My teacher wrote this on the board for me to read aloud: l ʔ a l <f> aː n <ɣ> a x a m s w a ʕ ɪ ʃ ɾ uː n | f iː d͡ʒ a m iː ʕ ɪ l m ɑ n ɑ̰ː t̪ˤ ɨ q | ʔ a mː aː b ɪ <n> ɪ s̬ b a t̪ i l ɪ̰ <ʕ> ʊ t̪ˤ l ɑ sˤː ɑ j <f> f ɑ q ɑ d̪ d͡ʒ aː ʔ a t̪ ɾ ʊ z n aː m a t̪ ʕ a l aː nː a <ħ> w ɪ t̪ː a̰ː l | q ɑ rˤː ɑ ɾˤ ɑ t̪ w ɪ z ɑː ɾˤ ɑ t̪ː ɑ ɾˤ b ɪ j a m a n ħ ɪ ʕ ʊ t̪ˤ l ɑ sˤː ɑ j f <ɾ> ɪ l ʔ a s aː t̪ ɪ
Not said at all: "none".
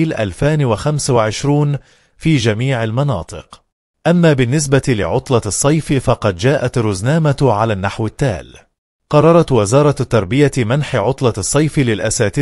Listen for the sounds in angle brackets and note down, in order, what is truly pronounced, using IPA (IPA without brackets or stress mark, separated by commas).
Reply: f, w, nː, ʕ, f, ħ, l